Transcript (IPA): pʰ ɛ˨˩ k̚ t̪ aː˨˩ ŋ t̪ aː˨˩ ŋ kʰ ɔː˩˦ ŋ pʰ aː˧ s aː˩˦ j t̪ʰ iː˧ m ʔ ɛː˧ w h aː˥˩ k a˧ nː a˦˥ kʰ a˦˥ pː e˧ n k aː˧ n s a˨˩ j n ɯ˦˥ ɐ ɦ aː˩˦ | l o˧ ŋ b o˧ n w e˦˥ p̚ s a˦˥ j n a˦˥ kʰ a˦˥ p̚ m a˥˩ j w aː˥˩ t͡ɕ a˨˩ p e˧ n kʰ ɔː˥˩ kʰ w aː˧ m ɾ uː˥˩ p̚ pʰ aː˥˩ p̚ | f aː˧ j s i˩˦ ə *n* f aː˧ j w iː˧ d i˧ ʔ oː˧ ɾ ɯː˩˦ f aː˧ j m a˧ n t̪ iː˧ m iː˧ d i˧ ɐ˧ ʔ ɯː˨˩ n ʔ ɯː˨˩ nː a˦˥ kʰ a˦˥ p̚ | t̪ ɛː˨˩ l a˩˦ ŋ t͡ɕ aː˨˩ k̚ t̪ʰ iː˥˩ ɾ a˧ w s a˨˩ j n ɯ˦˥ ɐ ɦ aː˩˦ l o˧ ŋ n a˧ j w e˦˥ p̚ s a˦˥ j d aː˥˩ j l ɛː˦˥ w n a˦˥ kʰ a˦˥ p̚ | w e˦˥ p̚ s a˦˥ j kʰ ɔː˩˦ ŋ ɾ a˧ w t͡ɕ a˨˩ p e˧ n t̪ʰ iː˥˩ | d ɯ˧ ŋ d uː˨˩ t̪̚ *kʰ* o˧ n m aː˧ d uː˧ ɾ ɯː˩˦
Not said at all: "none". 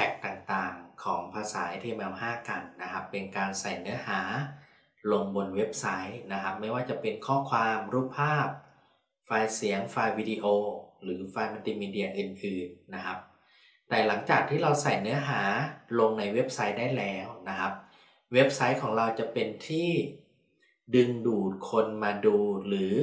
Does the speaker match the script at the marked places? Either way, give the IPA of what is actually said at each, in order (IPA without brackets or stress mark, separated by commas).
ŋ, kʰ